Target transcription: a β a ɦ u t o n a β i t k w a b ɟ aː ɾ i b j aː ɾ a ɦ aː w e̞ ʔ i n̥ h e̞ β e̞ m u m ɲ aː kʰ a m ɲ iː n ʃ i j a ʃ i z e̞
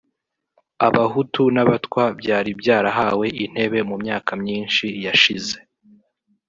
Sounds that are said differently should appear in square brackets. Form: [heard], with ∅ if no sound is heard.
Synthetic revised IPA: a β a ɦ u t [u] n a β [a] t k w a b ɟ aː ɾ i b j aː ɾ a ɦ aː w e̞ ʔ i n̥ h e̞ β e̞ m u m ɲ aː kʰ a m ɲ iː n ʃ i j a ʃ i z e̞